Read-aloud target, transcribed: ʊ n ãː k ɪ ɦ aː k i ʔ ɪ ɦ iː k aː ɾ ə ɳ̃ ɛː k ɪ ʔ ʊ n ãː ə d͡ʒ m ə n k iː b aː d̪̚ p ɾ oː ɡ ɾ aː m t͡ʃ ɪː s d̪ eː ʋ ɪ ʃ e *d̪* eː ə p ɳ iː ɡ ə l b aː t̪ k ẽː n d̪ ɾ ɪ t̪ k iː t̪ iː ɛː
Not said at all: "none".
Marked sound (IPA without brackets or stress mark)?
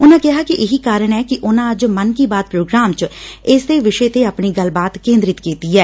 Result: t̪